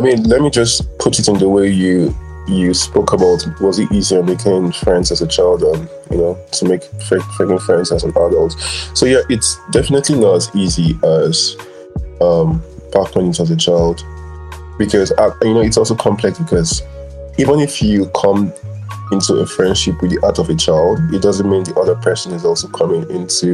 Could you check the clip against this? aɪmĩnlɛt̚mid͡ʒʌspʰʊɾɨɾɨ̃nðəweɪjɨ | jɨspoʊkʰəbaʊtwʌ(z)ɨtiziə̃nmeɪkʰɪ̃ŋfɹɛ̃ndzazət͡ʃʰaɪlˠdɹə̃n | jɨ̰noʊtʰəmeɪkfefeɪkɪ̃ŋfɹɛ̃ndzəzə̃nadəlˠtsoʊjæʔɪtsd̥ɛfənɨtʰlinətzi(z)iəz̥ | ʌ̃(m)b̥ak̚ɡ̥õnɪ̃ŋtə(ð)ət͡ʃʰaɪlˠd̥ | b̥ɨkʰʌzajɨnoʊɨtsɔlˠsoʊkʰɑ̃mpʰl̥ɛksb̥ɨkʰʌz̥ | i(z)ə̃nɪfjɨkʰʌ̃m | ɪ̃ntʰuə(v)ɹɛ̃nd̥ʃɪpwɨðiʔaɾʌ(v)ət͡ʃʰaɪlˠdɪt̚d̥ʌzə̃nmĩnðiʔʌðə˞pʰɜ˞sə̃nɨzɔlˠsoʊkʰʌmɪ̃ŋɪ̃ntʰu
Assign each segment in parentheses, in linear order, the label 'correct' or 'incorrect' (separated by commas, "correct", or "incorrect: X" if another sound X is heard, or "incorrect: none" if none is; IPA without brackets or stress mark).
correct, correct, correct, incorrect: z, incorrect: v, incorrect: f, correct